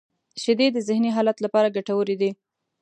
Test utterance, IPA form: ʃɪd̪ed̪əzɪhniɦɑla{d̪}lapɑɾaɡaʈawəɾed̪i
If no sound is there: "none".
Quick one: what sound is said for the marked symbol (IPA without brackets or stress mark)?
t̪